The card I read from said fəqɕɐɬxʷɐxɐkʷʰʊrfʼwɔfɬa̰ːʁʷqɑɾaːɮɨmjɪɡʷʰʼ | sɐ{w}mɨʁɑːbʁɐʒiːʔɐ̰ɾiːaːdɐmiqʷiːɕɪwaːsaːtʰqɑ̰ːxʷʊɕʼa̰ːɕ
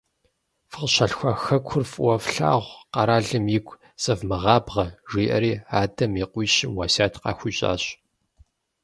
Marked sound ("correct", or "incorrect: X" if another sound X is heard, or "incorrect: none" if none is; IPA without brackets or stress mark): incorrect: v